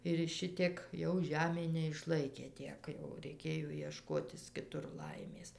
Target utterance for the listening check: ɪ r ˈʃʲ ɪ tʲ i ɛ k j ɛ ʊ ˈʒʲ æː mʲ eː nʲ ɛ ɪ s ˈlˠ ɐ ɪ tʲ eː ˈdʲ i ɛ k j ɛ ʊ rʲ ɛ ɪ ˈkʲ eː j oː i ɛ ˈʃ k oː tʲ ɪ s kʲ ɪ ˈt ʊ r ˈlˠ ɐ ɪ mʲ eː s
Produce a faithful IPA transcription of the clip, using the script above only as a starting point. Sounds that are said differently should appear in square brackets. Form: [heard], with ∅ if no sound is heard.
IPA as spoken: ɪ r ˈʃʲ ɪ tʲ i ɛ k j ɛ ʊ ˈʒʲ æː mʲ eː nʲ ɛ ɪ [ʃ] ˈlˠ ɐ ɪ [kʲ] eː [ˈtʲ] i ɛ k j ɛ ʊ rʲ ɛ ɪ ˈkʲ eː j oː i ɛ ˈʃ k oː tʲ ɪ s kʲ ɪ ˈt ʊ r ˈlˠ ɐ ɪ mʲ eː s